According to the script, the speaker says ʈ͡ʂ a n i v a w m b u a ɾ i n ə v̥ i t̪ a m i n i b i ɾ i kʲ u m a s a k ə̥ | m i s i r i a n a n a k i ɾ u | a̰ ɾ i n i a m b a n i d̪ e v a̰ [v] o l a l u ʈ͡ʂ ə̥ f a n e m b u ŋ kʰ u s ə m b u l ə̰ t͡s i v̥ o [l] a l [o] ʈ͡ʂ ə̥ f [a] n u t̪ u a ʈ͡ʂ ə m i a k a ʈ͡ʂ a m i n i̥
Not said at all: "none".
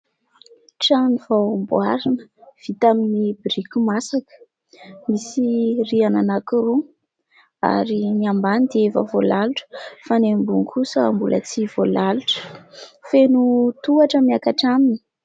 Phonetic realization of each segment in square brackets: v, l, u, e

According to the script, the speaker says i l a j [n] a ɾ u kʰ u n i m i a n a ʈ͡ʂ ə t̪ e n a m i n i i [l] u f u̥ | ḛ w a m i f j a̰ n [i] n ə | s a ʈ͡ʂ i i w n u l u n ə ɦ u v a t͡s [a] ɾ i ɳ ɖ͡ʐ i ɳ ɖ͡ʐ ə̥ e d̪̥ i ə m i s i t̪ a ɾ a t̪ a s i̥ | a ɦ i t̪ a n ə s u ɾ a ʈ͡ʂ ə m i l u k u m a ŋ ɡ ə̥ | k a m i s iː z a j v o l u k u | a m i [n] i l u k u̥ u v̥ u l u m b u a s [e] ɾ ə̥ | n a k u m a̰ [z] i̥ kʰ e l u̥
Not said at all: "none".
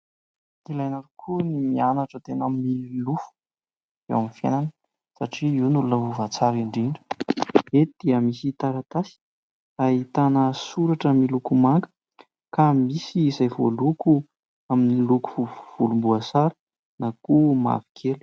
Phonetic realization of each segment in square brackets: n, l, a, a, n, a, v

